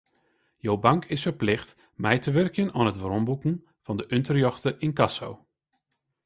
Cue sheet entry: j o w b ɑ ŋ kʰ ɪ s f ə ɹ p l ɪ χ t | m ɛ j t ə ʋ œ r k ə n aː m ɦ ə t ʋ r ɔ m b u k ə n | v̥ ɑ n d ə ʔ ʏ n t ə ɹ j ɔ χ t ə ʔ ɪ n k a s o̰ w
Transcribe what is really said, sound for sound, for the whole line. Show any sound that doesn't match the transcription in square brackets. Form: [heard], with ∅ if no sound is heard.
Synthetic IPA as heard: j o w b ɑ ŋ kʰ ɪ s f ə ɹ p l ɪ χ t | m ɛ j t ə ʋ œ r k ə n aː [n] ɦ ə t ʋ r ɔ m b u k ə n | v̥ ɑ n d ə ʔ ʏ n t ə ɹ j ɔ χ t ə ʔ ɪ n k [ɑ] s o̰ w